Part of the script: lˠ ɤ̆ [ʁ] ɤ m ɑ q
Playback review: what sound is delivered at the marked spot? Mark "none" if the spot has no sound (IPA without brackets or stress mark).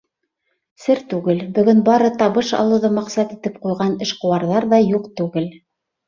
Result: ð